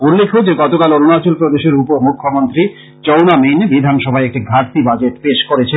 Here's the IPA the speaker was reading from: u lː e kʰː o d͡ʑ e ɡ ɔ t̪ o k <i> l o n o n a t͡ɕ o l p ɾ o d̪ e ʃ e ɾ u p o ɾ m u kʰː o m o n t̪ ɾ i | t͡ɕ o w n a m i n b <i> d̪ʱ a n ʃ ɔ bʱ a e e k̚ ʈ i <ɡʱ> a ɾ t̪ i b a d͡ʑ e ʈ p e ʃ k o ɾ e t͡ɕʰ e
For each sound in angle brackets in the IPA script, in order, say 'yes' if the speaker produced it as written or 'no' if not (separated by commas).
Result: no, yes, yes